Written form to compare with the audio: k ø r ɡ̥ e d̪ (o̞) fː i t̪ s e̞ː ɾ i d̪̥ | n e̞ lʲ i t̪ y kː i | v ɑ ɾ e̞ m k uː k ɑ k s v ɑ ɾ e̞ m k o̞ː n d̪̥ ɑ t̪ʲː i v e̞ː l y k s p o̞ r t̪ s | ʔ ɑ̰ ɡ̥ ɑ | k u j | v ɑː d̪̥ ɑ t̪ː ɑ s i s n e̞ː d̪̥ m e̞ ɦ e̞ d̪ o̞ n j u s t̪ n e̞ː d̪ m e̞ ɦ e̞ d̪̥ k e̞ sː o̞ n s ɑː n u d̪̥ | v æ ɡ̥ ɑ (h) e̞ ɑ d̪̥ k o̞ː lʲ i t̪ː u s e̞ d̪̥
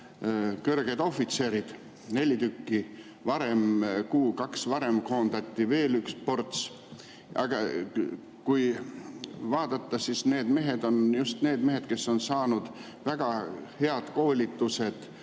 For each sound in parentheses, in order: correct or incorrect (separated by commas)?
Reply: correct, correct